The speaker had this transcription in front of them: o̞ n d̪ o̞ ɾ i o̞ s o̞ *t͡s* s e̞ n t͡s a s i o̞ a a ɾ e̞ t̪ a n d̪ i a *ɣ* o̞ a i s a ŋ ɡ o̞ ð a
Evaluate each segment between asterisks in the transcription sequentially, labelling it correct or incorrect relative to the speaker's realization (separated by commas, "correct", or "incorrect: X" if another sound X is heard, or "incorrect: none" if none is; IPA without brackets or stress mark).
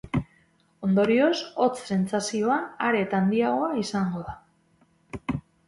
correct, correct